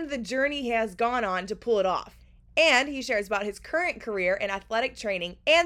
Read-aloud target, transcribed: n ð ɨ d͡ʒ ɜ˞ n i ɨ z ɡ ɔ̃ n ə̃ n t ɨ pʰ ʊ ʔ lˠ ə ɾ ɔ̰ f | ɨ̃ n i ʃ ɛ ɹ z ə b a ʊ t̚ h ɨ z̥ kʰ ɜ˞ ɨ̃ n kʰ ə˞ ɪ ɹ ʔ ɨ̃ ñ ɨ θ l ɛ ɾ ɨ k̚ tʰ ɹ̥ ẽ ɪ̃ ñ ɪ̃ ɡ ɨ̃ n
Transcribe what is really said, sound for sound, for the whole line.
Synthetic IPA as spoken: n ð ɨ d͡ʒ ɜ˞ n i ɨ z ɡ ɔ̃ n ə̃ n t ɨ pʰ ʊ lˠ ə ɾ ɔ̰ f | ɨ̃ n i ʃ ɛ ɹ z ə b a ʊ t̚ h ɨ z̥ kʰ ɜ˞ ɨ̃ n kʰ ə˞ ɪ ɹ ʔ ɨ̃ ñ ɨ θ l ɛ ɾ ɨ k̚ tʰ ɹ̥ ẽ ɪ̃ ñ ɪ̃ ŋ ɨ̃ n